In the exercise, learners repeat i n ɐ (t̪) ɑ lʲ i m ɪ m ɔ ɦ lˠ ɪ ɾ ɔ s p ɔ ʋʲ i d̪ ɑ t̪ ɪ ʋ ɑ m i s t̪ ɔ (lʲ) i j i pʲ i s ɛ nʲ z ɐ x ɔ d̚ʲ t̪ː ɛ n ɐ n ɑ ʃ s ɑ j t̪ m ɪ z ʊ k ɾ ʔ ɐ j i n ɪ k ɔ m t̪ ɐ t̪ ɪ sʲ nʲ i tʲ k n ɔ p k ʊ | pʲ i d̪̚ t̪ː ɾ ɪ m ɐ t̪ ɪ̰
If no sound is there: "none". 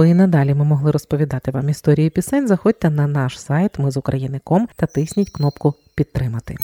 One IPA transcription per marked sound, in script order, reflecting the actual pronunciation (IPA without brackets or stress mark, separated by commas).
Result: d̪, ɾʲ